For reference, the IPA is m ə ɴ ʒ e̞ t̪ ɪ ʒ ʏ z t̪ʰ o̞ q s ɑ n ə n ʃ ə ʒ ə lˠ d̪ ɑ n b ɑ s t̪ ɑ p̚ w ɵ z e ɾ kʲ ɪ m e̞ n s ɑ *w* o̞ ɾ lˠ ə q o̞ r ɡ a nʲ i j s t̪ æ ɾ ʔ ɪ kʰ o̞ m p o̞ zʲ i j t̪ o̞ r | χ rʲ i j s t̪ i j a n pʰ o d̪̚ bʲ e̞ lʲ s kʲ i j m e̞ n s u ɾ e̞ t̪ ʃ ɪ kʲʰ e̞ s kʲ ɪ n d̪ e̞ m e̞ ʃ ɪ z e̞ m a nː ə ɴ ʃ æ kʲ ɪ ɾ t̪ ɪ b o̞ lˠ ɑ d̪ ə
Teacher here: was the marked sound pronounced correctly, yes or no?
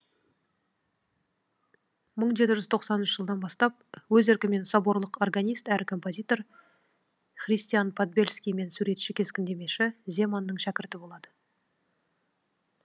no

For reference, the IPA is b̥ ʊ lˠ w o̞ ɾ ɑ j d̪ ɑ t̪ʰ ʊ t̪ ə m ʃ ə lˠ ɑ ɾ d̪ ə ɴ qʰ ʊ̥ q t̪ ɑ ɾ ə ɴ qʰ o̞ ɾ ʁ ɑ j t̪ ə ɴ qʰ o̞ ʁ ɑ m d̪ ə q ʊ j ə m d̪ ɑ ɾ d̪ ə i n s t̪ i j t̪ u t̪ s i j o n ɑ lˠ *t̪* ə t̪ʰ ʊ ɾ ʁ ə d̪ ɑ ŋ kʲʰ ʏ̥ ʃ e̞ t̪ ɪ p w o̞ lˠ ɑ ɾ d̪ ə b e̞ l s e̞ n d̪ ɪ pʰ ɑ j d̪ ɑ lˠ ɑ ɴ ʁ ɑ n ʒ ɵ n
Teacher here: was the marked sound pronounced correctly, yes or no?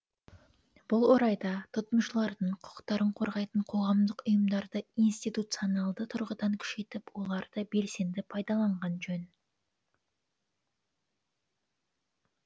no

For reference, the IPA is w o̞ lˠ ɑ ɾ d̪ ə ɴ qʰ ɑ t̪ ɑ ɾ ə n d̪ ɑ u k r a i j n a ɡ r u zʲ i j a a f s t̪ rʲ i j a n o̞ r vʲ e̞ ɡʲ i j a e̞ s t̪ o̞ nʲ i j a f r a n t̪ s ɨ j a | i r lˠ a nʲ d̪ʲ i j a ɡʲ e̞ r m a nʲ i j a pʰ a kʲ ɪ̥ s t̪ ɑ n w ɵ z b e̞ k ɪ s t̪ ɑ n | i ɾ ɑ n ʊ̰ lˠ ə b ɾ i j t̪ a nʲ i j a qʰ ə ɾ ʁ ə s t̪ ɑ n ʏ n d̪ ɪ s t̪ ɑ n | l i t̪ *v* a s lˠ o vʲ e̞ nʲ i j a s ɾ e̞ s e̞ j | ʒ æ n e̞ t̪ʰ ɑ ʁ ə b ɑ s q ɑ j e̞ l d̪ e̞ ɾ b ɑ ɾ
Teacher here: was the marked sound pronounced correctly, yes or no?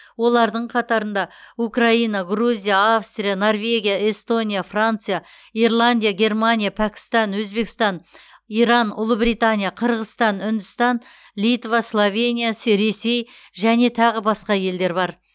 yes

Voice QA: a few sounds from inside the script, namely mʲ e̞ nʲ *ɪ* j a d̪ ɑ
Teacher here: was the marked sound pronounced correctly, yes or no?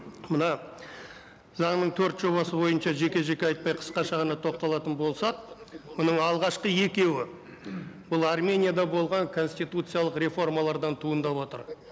no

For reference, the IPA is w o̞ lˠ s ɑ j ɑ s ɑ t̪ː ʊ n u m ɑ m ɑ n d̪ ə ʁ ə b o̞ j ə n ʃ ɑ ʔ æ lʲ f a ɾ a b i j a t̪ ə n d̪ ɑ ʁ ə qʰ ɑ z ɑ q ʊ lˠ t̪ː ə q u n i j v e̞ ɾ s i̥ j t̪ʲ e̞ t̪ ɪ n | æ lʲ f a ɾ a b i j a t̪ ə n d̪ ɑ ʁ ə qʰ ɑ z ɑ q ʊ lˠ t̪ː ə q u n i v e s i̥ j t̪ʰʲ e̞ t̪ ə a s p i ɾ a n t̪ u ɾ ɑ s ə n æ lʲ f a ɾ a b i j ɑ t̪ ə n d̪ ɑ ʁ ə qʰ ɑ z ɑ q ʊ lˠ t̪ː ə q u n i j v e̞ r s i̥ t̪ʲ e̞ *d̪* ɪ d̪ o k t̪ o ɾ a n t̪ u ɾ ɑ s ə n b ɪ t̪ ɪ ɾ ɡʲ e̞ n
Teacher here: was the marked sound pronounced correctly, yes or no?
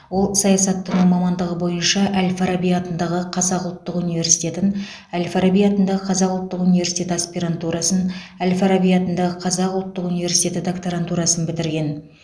no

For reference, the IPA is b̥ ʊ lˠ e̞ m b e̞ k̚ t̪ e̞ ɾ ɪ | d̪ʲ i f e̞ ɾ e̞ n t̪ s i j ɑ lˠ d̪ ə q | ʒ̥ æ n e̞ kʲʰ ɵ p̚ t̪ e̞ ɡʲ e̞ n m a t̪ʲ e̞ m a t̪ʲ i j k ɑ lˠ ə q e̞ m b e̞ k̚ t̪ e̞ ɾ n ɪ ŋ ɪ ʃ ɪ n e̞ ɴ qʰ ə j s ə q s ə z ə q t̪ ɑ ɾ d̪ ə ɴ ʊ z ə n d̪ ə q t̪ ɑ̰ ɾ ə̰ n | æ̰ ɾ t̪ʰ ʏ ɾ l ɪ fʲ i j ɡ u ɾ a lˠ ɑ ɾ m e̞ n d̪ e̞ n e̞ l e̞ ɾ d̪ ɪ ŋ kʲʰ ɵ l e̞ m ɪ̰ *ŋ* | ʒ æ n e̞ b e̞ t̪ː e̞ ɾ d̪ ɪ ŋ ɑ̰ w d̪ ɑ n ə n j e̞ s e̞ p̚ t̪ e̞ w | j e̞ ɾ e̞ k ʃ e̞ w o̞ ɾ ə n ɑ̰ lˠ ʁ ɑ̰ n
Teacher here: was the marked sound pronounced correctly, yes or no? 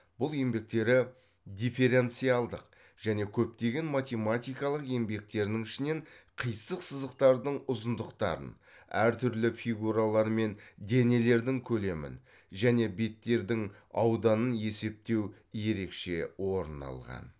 no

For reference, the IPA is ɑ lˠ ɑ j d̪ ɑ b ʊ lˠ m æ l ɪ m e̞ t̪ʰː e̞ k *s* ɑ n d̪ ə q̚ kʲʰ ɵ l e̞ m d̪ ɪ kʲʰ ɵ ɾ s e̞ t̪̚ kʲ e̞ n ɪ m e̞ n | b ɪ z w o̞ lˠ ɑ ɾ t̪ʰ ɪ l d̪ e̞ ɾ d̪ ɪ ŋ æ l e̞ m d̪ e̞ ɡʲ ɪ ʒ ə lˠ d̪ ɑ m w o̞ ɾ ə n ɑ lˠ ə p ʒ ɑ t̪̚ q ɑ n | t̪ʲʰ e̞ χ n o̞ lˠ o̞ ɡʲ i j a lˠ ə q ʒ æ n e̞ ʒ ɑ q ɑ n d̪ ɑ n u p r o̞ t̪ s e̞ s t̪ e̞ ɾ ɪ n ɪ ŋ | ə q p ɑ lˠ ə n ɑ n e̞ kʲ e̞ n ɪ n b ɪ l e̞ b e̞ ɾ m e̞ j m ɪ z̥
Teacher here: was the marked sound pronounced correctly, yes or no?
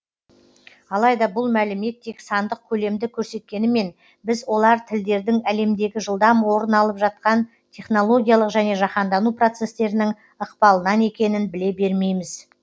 yes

